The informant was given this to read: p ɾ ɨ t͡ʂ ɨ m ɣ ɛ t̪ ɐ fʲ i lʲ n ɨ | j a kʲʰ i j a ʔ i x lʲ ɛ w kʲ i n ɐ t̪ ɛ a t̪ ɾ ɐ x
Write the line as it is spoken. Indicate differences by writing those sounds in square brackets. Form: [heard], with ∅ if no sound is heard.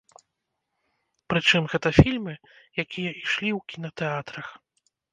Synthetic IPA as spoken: p ɾ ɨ t͡ʂ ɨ m ɣ ɛ t̪ ɐ fʲ i lʲ [m] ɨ | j a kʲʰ i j [ɐ] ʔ i [ʂ] lʲ [i] w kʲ i n ɐ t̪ ɛ a t̪ ɾ ɐ x